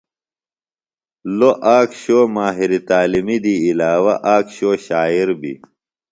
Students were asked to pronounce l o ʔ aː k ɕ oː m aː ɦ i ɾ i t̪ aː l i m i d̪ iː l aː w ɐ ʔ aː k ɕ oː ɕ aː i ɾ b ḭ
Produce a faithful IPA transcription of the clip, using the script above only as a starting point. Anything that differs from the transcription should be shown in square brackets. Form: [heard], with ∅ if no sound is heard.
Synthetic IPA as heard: l o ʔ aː k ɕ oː m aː ɦ i ɾ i t̪ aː l i m i d̪ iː l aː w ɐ ʔ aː k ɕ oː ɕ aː i ɾ b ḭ